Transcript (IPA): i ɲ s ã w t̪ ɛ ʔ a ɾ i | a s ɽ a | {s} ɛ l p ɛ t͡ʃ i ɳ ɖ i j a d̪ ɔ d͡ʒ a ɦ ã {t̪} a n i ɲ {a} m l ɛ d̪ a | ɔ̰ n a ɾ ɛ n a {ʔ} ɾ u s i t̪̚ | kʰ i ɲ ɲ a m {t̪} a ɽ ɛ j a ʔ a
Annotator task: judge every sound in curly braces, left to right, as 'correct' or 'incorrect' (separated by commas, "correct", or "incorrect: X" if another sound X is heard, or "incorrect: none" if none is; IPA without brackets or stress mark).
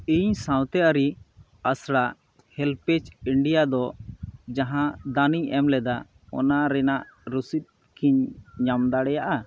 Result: incorrect: h, incorrect: d̪, incorrect: ɛ, correct, incorrect: d̪